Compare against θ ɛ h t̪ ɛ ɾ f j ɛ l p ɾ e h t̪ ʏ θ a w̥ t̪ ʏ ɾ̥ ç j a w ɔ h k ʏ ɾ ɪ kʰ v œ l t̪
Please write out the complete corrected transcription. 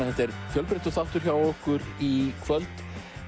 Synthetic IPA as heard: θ ɛ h t̪ ɛ ɾ f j œ l p ɾ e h t̪ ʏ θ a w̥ t̪ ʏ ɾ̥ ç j a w ɔ h k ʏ ɾ i kʰ v œ l t̪